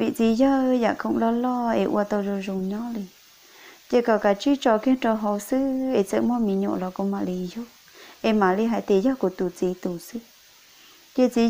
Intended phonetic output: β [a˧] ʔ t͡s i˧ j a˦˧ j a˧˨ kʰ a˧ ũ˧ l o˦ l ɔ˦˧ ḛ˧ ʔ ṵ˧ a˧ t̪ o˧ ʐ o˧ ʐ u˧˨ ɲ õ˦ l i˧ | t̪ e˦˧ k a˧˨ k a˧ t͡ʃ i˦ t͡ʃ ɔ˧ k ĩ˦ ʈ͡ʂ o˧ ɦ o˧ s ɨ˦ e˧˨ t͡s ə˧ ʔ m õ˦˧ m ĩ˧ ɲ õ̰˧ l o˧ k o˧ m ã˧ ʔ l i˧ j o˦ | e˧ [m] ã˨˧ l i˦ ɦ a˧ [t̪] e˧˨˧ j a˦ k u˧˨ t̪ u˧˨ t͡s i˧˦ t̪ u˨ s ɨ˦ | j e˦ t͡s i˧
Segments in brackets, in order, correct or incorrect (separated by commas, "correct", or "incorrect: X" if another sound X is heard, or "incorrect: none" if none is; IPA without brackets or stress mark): incorrect: i˧, correct, correct